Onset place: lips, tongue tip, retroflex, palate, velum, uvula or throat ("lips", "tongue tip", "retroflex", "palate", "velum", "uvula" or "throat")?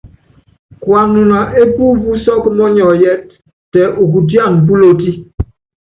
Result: velum